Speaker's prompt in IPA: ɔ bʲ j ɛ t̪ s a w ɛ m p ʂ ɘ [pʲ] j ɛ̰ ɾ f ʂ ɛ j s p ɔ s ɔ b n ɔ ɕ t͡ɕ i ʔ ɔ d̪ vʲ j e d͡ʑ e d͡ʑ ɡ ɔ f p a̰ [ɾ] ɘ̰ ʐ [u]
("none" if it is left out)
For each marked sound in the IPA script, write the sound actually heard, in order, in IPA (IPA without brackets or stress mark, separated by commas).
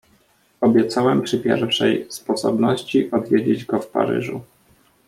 pʲ, ɾ, u